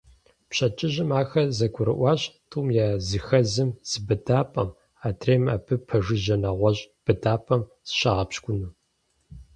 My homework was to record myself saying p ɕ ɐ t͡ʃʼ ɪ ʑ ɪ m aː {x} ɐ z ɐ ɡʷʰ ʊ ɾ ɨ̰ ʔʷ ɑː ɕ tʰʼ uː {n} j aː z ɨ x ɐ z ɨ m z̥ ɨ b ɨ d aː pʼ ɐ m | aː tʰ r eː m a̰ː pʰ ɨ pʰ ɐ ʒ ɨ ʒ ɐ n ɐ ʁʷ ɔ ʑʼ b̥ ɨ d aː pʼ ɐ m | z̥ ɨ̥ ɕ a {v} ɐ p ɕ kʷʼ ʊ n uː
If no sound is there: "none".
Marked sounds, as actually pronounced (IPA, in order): x, m, ʁ

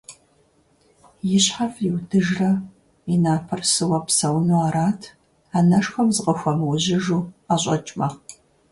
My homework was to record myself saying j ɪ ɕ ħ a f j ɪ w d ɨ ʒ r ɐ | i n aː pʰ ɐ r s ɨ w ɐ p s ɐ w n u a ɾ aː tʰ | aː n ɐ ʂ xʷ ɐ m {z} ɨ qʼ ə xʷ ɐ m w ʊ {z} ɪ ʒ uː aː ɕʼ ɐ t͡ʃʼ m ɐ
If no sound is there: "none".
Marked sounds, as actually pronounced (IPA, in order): z, ʑ

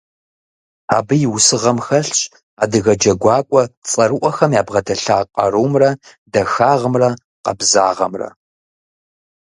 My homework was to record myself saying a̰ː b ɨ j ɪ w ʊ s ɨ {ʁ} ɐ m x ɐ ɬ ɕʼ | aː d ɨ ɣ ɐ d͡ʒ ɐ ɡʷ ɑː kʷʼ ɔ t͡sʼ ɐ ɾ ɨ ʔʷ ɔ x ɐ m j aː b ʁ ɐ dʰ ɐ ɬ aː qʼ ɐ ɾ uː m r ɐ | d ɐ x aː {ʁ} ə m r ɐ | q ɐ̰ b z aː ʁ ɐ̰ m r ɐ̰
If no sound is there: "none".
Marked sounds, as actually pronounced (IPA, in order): ʁ, ʁ

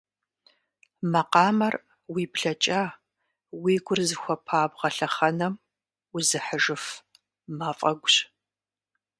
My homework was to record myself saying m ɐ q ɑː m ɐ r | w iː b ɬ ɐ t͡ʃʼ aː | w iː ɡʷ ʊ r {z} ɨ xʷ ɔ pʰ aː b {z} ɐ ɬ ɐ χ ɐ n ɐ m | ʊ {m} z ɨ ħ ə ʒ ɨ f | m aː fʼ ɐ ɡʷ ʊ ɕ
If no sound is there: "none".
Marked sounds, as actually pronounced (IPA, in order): z, ʁ, none

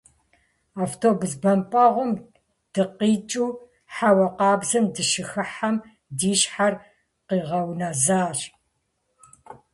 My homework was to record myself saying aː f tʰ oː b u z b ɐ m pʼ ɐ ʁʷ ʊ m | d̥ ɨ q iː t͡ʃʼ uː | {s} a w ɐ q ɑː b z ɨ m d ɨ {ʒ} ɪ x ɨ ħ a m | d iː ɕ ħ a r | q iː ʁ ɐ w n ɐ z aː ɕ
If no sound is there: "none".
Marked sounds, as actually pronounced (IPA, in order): ħ, ʃ

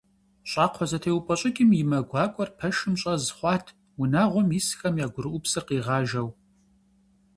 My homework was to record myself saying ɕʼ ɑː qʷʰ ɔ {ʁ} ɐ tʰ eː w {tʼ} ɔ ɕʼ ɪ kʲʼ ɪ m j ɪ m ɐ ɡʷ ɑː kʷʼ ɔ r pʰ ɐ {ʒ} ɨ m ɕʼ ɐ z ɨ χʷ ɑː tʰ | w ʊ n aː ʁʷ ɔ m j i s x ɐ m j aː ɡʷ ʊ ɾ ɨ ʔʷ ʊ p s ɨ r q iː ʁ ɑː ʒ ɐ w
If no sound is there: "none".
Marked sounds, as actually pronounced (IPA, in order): z, pʼ, ʃ

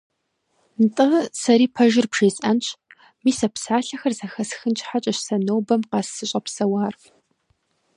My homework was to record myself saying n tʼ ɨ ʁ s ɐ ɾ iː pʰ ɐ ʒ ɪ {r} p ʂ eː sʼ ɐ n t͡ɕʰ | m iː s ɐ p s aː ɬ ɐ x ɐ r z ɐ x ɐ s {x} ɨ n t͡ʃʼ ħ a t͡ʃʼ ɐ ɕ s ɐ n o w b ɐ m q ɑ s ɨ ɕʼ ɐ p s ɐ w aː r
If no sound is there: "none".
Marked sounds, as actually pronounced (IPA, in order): r, x

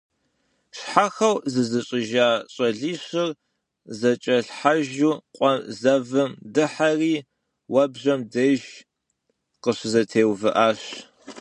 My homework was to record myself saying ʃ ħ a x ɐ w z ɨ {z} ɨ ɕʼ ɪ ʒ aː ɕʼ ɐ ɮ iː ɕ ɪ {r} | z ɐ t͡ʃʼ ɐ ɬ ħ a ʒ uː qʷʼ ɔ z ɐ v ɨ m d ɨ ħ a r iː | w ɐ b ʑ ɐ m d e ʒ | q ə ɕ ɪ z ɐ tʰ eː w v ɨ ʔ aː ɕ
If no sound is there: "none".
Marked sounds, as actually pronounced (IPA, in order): z, r

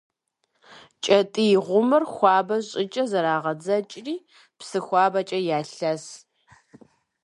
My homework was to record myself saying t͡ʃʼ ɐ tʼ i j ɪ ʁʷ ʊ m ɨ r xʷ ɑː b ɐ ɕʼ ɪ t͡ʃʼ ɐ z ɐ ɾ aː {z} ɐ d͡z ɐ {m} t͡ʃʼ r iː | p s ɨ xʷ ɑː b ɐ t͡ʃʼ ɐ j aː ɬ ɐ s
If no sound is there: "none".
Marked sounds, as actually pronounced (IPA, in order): ʁ, none

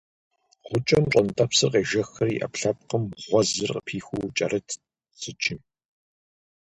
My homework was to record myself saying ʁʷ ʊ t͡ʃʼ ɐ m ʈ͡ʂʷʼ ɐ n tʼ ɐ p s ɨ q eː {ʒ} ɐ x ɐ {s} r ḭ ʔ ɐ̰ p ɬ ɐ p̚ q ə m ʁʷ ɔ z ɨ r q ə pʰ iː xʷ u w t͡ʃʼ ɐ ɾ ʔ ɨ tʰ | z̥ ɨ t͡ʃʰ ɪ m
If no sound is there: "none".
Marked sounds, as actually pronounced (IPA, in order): ʒ, none

